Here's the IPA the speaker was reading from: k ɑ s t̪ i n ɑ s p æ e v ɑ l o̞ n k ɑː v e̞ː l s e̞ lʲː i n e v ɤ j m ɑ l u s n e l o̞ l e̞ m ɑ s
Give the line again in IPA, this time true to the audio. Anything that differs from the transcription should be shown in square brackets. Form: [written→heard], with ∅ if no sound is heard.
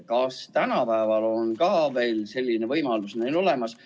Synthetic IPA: k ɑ s t̪ [i→æ] n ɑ [s→∅] p æ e v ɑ l o̞ n k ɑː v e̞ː l s e̞ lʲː i n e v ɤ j m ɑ l u s n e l o̞ l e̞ m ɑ s